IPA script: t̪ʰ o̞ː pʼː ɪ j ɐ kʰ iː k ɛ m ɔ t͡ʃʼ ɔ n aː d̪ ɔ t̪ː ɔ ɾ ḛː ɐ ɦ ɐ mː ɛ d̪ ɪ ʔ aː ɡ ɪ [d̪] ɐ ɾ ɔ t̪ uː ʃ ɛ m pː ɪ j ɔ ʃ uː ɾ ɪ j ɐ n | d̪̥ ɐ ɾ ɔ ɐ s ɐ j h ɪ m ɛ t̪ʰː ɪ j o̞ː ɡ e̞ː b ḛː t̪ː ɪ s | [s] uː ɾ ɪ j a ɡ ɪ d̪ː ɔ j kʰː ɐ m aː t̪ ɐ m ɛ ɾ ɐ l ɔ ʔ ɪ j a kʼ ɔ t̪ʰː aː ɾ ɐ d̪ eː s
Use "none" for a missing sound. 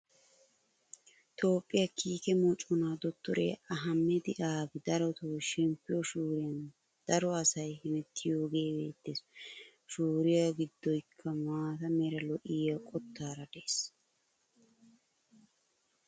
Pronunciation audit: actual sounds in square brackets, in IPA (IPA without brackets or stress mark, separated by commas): d̪, ʃ